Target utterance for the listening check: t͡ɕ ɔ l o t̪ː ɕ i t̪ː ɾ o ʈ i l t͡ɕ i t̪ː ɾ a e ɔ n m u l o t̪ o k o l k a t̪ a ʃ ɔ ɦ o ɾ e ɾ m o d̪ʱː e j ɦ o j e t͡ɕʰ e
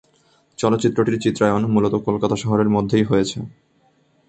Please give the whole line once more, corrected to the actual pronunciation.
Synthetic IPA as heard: t͡ɕ ɔ l o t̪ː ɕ i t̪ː ɾ o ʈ i ɾ t͡ɕ i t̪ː ɾ a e o n m u l o t̪ o k o l k a t̪ a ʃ ɔ ɦ o ɾ e ɾ m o d̪ʱː e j ɦ o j e t͡ɕʰ e